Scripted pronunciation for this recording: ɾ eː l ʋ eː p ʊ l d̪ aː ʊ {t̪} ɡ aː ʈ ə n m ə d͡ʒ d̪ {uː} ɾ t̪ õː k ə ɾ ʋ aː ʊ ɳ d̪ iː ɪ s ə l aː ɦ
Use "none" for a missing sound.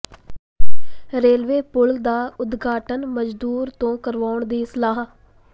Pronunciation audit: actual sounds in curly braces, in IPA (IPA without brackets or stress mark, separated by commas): d̪, uː